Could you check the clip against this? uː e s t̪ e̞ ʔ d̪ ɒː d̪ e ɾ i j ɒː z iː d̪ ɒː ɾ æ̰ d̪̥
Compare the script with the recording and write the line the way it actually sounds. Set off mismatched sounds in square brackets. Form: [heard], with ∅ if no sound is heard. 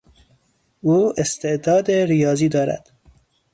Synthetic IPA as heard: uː e s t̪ e̞ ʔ d̪ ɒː d̪ e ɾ i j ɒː z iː d̪ ɒː ɾ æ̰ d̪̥